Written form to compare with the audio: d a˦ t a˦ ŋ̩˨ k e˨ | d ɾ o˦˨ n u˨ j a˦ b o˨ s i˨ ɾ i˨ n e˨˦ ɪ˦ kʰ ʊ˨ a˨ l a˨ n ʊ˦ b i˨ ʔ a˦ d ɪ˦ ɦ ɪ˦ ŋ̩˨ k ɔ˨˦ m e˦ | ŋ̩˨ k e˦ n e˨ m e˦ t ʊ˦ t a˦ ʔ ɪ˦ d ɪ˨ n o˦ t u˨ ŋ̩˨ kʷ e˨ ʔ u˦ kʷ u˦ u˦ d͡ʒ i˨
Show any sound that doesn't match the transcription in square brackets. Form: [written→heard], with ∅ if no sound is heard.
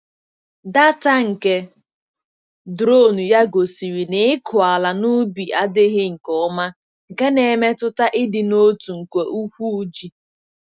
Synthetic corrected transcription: d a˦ t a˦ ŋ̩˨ k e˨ | d ɾ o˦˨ n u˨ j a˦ [b→ɡ] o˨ s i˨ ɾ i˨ n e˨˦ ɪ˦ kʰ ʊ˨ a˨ l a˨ n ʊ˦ b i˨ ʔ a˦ d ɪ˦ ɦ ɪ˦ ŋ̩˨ k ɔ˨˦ m [e˦→a˦] | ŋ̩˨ k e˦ n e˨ m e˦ t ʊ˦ t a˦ ʔ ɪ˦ d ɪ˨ n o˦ t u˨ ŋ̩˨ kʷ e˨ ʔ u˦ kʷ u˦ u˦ d͡ʒ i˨

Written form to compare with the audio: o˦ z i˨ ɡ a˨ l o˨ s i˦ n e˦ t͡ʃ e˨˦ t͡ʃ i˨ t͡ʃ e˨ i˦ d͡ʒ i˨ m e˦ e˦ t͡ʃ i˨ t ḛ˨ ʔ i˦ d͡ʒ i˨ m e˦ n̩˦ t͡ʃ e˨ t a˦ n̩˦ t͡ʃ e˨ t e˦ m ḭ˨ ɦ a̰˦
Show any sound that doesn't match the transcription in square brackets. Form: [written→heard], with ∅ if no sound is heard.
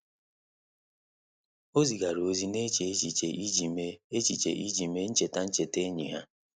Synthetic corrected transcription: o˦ z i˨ ɡ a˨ [l→ɾ] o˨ [s→z] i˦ n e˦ t͡ʃ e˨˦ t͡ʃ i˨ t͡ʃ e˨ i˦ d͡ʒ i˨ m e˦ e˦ t͡ʃ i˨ [t→t͡ʃ] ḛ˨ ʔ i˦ d͡ʒ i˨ m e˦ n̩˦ t͡ʃ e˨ t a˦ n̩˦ t͡ʃ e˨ t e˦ [m→ɲ] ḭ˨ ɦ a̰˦

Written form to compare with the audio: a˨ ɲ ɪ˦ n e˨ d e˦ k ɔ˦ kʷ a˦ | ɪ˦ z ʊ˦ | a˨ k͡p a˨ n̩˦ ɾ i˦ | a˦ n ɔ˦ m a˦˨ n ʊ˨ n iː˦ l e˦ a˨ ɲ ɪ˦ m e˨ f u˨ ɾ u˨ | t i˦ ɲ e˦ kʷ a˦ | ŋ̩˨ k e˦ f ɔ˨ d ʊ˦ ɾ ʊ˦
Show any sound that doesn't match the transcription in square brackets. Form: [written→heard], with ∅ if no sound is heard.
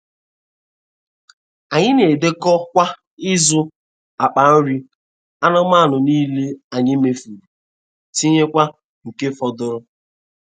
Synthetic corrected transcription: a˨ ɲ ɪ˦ n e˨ d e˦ k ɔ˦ kʷ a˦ | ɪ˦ z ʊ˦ | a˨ k͡p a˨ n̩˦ ɾ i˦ | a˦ n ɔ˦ m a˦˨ n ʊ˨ n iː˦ l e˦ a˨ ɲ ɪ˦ m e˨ f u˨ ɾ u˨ | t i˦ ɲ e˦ kʷ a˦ | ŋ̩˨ k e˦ f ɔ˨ d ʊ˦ ɾ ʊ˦

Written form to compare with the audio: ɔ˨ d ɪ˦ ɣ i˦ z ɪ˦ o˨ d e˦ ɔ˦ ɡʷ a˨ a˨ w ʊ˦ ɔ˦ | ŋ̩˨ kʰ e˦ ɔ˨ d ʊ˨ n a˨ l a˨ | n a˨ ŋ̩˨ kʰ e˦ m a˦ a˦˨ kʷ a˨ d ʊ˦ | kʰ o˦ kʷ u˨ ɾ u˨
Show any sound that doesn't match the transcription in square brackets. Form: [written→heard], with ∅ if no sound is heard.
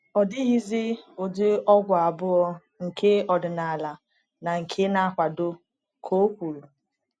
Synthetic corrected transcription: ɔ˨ d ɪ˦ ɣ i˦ z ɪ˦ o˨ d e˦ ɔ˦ ɡʷ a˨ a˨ [w→b] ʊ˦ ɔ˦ | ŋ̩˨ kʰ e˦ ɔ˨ d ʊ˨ n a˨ l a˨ | n a˨ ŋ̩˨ kʰ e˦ [m→n] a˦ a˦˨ kʷ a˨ d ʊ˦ | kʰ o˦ kʷ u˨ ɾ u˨

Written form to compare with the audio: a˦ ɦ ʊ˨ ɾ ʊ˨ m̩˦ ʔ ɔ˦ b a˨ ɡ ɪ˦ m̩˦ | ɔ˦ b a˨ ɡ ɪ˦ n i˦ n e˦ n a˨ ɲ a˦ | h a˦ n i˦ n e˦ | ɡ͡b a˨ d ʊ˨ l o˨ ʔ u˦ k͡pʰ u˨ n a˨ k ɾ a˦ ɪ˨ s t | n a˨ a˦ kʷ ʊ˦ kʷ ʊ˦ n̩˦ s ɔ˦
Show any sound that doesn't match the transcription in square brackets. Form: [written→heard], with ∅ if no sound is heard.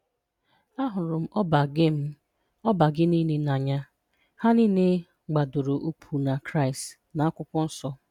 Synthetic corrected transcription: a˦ ɦ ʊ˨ ɾ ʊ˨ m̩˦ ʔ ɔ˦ b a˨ ɡ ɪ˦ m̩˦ | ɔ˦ b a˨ ɡ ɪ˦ n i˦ n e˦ n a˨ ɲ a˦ | h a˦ n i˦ n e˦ | ɡ͡b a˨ d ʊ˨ [l→ɾ] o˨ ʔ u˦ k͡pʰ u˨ n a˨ k ɾ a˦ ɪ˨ s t | n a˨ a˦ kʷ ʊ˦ kʷ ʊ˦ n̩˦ s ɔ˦

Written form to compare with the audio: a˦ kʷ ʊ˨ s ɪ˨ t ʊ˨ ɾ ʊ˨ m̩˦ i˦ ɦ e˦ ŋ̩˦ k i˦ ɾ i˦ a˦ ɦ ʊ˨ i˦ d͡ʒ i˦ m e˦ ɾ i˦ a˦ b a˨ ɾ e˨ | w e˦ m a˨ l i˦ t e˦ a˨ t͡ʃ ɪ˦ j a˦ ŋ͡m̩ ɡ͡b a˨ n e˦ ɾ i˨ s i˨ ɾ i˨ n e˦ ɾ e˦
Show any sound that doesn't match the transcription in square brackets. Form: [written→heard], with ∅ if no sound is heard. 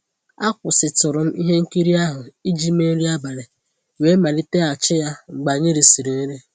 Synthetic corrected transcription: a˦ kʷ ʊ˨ s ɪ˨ t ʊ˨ ɾ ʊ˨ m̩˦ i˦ ɦ e˦ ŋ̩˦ k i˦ ɾ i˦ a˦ ɦ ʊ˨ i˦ d͡ʒ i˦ m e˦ ɾ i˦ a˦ b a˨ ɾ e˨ | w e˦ m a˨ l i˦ t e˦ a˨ t͡ʃ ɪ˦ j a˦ ŋ͡m̩ ɡ͡b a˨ [n→ɲ] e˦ ɾ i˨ s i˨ ɾ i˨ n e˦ ɾ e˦

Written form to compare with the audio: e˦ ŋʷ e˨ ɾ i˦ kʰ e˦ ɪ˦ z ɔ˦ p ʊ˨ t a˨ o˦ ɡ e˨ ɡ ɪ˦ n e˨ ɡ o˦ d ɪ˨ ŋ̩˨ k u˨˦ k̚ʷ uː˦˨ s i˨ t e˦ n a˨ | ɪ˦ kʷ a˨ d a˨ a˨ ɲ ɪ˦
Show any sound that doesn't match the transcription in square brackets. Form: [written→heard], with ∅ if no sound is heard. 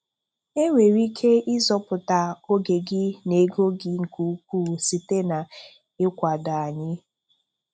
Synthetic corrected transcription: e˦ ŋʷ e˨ ɾ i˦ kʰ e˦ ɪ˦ z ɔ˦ p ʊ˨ t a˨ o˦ ɡ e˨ ɡ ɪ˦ n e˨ ɡ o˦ [d→ɡ] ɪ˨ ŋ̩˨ k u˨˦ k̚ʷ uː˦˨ s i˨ t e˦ n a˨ | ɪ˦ kʷ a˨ d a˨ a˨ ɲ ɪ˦

